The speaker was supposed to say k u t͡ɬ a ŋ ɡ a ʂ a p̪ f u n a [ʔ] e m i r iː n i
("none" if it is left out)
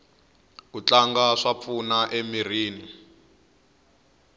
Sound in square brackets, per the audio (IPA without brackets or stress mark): ʔ